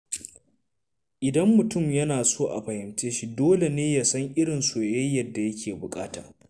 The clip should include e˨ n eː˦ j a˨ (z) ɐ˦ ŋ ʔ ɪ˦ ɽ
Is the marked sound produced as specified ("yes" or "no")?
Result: no